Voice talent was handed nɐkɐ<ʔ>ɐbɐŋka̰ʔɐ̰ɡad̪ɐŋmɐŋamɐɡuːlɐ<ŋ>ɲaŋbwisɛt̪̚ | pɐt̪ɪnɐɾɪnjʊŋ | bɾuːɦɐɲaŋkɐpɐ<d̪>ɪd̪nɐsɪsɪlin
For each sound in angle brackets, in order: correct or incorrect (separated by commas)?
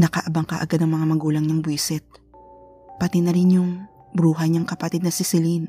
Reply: correct, correct, incorrect